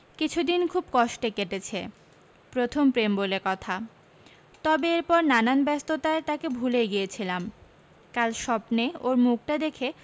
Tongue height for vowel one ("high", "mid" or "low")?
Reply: high